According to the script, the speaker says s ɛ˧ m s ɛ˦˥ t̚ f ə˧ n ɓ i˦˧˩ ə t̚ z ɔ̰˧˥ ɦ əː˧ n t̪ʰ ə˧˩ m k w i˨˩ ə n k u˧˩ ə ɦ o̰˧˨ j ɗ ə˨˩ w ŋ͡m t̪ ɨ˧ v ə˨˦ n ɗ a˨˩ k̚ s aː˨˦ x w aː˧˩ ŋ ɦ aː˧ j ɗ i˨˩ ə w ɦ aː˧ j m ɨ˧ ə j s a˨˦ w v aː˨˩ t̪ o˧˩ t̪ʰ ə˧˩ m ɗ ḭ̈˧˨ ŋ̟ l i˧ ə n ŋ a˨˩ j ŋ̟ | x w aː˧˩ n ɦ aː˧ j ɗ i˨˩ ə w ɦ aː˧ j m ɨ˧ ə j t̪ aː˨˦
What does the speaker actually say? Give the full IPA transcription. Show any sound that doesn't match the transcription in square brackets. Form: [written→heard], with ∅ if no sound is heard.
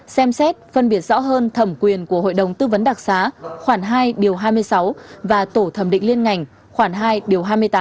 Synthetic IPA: s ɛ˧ m s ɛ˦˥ t̚ f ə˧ n ɓ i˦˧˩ ə t̚ z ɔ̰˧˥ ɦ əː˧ n t̪ʰ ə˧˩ m k w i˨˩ ə n k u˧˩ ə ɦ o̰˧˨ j ɗ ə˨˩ w ŋ͡m t̪ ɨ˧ v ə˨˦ n ɗ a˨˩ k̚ s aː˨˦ x w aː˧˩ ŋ ɦ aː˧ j ɗ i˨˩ ə w ɦ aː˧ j m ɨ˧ ə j s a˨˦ w v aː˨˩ t̪ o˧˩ t̪ʰ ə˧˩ m ɗ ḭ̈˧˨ ŋ̟ l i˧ ə n ŋ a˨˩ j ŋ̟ | x w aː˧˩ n ɦ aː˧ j ɗ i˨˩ ə w ɦ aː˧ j m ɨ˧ ə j t̪ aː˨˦